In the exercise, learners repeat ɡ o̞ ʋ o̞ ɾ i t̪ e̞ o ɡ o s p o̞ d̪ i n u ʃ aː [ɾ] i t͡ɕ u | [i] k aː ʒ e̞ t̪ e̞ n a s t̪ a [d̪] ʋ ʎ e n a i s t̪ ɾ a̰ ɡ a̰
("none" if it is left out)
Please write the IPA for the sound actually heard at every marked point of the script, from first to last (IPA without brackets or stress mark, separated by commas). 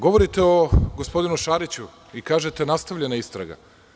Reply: ɾ, i, none